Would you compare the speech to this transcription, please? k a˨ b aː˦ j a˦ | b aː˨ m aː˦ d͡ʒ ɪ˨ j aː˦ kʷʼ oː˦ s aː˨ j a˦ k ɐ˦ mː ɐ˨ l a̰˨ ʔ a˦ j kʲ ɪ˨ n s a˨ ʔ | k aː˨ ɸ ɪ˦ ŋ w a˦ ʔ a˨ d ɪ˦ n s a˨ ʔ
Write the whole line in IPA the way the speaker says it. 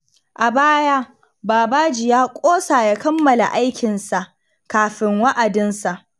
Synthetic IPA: ʔ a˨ b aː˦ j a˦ | b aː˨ b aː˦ d͡ʒ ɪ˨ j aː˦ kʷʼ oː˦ s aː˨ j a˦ k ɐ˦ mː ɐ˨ l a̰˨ ʔ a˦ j kʲ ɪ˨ n s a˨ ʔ | k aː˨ ɸ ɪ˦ ŋ w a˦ ʔ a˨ d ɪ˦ n s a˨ ʔ